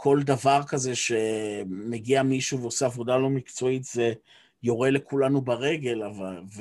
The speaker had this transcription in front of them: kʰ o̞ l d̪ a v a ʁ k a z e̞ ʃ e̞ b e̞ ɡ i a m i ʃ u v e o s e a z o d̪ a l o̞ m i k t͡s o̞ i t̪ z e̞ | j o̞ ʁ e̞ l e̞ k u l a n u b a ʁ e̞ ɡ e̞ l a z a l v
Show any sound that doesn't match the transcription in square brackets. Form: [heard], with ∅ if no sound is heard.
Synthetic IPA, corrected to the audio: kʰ o̞ l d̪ a v a ʁ k a z e̞ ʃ e̞ [m] e̞ ɡ i a m i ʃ u v e o s e a [v] o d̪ a l o̞ m i k t͡s o̞ i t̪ z e̞ | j o̞ ʁ e̞ l e̞ k u l a n u b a ʁ e̞ ɡ e̞ l a [v] a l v